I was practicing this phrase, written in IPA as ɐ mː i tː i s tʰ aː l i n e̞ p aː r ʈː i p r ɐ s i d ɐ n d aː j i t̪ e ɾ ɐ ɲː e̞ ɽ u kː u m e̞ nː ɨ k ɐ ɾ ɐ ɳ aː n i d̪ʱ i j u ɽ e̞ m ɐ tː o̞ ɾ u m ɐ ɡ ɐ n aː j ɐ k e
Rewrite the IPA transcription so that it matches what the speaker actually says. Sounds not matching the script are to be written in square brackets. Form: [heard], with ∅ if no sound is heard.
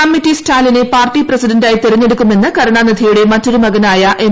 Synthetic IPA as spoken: ɐ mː i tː i s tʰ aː l i n e̞ p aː r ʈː i p r ɐ s i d ɐ n d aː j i t̪ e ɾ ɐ ɲː e̞ ɽ u kː u m e̞ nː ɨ k ɐ ɾ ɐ ɳ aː n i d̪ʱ i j u ɽ e̞ m ɐ tː o̞ ɾ u m ɐ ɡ ɐ n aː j ɐ [ʔ] e